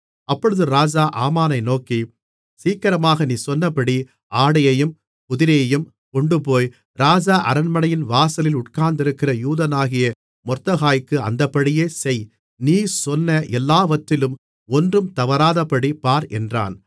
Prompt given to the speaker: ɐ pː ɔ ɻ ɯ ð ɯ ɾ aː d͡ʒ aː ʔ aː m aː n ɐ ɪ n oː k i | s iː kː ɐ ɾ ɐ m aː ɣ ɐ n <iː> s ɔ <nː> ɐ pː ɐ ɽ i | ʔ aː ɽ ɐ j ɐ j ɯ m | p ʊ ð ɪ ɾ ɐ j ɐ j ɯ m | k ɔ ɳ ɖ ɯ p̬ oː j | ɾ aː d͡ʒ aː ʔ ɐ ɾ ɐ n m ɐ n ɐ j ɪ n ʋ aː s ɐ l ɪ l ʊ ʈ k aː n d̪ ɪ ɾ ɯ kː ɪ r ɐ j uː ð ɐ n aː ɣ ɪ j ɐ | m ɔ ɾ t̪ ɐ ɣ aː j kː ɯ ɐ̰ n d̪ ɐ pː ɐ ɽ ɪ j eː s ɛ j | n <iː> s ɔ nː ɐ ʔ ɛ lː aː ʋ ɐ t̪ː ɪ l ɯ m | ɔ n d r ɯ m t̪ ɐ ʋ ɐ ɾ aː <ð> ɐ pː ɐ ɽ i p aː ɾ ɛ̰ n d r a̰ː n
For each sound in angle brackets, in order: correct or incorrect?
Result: correct, correct, correct, correct

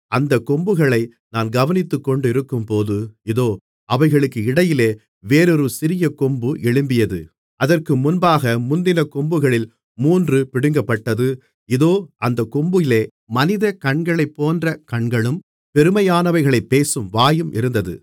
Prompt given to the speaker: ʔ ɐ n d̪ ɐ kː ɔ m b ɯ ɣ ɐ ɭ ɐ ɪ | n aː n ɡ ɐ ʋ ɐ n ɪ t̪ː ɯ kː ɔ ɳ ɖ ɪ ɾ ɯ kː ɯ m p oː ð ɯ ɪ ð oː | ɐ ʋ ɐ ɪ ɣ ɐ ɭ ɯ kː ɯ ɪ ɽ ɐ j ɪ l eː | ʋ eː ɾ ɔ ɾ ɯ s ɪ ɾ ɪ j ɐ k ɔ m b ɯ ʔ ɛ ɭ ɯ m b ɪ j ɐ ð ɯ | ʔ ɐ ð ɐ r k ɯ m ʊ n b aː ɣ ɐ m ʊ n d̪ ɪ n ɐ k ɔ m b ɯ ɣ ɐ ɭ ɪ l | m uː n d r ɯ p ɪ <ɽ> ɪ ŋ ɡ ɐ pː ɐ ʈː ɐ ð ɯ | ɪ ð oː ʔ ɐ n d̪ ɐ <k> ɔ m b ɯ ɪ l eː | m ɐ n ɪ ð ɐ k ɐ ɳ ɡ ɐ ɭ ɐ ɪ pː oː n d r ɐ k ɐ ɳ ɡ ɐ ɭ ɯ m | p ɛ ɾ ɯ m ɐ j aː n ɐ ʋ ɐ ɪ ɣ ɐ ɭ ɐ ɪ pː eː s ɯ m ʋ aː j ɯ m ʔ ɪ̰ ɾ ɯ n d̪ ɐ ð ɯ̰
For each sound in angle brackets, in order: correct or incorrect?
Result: correct, correct

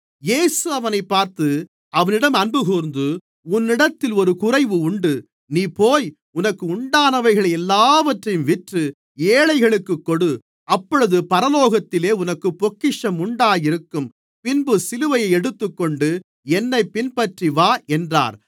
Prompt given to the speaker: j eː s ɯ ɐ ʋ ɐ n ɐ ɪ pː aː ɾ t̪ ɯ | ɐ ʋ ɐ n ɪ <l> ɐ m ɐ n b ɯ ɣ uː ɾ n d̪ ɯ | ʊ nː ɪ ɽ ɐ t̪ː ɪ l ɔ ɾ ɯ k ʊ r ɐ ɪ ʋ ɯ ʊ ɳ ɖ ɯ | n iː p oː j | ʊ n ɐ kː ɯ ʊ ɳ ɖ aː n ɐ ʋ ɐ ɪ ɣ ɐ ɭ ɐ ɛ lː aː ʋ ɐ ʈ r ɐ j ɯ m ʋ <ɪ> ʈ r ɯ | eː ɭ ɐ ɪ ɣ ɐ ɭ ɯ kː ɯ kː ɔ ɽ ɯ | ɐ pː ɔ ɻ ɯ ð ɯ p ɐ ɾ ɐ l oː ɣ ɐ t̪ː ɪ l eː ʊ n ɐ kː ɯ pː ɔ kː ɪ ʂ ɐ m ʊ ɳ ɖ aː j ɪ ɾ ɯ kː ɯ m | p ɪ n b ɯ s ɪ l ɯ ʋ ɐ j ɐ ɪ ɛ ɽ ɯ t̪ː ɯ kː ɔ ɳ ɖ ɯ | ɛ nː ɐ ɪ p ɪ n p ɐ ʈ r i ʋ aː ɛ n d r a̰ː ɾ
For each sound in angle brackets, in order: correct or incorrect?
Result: incorrect, correct

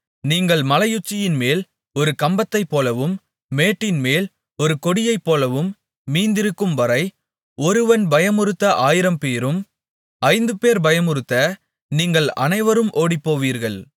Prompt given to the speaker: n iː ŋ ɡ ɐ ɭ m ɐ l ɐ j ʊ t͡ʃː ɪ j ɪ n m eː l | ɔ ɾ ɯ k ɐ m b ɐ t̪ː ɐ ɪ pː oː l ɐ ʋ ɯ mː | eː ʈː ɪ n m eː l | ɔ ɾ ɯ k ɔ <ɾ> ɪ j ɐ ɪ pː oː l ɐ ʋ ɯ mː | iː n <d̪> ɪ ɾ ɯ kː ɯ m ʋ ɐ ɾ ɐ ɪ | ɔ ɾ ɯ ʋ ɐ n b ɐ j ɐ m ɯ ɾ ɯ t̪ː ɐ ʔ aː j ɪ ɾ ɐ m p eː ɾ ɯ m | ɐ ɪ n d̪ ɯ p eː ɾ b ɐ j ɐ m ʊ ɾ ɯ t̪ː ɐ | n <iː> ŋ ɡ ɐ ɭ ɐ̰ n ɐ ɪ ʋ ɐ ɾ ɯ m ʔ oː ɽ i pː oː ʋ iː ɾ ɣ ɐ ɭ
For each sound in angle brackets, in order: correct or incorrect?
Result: incorrect, correct, correct

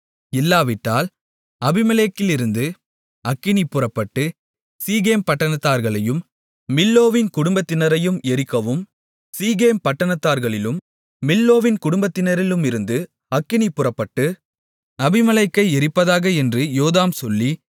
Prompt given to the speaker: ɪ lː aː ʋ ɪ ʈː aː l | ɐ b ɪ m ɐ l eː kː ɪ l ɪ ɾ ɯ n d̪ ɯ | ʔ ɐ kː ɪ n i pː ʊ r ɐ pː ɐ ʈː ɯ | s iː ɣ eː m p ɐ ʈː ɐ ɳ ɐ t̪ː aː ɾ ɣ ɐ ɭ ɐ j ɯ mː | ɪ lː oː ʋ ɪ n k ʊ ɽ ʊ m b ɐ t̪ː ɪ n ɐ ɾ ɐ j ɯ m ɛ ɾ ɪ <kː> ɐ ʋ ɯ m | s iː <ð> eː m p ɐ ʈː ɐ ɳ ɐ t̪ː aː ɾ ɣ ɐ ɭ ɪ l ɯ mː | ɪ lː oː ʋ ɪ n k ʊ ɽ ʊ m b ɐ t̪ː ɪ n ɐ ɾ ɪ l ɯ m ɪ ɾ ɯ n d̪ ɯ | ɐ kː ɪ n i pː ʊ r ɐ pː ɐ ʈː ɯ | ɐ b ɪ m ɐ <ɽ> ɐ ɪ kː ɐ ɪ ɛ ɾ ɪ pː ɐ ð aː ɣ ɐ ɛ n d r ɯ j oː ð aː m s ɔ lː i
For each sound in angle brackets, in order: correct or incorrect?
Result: correct, incorrect, incorrect

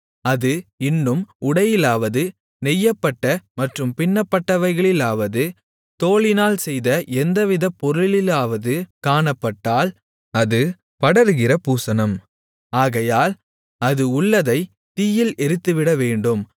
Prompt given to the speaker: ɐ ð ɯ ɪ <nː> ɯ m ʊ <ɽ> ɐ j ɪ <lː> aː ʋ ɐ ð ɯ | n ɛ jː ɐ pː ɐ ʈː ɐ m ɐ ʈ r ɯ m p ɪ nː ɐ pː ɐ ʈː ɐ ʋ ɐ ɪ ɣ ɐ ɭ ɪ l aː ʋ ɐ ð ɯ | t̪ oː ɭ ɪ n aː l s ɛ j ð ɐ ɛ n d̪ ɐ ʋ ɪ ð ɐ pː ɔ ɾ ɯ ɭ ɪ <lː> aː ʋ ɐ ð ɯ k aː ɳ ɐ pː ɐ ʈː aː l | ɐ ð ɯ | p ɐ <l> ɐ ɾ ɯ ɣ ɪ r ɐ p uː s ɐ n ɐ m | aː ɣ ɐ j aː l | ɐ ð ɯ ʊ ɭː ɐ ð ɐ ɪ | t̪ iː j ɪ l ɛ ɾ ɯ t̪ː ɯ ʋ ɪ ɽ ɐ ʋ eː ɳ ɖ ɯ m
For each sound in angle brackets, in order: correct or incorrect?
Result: correct, correct, incorrect, incorrect, incorrect

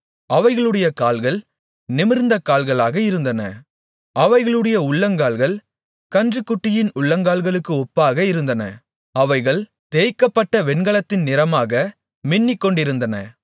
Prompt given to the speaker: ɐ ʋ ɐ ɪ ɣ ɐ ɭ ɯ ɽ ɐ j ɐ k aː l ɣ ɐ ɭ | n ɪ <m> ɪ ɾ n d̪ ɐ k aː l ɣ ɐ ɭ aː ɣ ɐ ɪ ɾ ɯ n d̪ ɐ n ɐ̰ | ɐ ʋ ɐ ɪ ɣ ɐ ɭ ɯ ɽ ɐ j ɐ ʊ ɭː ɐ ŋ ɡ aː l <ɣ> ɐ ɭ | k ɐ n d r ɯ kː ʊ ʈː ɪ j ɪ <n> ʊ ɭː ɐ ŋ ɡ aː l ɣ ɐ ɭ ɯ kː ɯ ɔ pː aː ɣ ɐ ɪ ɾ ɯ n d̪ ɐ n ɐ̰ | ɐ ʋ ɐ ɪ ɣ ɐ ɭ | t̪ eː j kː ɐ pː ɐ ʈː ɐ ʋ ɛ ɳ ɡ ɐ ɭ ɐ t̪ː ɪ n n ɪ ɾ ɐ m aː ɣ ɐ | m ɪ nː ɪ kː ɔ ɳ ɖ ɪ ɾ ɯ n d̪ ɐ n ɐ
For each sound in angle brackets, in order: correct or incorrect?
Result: correct, correct, correct

